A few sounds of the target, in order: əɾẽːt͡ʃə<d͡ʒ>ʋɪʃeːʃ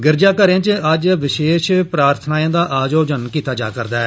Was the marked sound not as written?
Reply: no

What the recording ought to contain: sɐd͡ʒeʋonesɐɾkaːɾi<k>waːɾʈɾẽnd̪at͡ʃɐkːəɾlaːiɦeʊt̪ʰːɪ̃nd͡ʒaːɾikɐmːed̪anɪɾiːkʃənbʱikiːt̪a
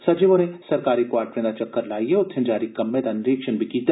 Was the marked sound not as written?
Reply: no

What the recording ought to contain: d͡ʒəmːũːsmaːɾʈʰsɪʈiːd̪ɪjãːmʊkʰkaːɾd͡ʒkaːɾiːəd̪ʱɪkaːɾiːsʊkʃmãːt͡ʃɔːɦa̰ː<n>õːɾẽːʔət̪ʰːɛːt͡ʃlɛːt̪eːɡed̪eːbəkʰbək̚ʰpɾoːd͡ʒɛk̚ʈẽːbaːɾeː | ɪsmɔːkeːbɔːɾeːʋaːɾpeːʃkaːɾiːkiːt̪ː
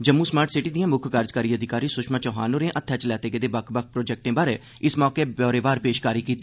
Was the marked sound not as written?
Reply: no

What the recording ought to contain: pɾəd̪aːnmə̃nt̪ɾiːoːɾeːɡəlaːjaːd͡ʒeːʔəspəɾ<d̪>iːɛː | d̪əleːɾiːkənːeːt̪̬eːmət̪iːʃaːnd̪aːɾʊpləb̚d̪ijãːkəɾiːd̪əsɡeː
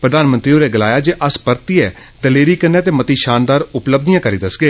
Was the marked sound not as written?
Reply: yes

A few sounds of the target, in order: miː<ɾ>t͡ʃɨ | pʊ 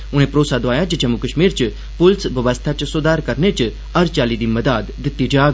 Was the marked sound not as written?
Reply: no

